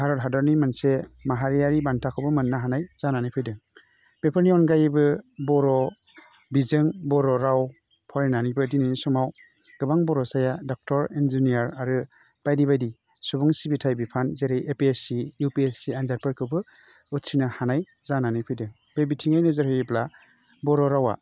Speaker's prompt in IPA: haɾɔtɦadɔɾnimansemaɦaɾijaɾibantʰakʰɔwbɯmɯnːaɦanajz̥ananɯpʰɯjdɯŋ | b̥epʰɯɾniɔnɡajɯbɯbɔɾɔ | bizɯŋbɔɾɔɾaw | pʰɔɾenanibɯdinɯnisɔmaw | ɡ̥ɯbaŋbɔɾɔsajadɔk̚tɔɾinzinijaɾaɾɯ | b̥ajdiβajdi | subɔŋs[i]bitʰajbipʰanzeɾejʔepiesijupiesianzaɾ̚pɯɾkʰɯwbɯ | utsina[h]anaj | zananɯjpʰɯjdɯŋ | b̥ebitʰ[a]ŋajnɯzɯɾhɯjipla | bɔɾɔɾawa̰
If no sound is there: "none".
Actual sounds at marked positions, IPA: i, h, i

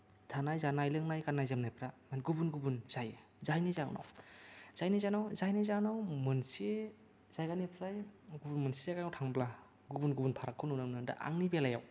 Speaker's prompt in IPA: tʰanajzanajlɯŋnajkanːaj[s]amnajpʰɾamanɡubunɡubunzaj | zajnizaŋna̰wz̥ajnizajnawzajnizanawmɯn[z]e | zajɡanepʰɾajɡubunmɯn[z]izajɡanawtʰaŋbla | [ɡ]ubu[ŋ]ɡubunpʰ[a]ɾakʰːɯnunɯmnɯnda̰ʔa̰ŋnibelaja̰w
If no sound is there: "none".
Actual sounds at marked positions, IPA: z, s, s, ɡ, n, a

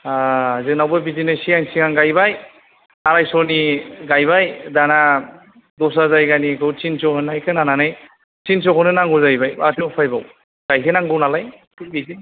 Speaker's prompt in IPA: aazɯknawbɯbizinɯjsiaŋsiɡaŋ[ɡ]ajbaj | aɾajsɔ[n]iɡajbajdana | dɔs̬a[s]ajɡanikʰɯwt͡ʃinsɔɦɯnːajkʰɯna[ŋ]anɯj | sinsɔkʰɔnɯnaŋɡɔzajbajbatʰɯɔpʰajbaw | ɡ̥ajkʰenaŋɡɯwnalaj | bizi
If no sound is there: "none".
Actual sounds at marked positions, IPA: ɡ, n, z, n

